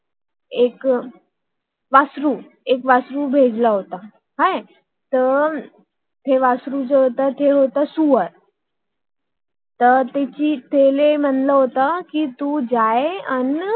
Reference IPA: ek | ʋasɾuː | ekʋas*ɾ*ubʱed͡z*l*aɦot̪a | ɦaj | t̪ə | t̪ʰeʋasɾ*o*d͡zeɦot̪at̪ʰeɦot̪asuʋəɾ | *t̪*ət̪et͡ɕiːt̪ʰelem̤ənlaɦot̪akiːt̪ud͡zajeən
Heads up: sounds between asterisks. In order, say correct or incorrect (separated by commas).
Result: correct, correct, incorrect, correct